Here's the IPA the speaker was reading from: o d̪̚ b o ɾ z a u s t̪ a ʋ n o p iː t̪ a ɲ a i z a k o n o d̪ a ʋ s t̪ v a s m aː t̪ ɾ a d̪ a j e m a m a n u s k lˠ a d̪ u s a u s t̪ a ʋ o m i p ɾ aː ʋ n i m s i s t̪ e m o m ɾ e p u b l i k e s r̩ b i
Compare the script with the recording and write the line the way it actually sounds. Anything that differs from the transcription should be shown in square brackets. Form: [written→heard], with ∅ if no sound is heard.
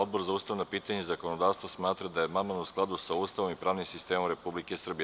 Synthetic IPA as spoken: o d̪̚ b o ɾ z a u s t̪ a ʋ n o p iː t̪ a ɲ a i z a k o n o d̪ a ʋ s t̪ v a s m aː t̪ ɾ a d̪ a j e m a m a n u s k lˠ a d̪ u s a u s t̪ a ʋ o m i p ɾ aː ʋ n i m s i s t̪ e m o m ɾ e p u b l i k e s r̩ b i